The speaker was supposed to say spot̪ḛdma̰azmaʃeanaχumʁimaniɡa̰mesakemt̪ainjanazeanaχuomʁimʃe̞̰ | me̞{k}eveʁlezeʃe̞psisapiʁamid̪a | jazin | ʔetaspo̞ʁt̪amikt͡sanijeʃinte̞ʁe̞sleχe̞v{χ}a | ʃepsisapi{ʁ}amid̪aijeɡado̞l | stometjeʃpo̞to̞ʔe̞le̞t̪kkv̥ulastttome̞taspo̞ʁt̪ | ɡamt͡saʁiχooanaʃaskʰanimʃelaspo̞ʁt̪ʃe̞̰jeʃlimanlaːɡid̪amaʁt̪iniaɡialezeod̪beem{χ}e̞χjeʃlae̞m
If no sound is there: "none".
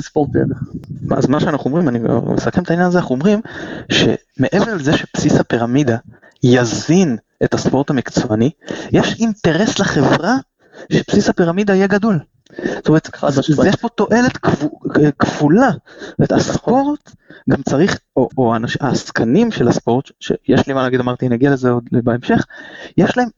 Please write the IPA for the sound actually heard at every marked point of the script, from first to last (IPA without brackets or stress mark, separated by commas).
ʔ, ʁ, ʁ, ʃ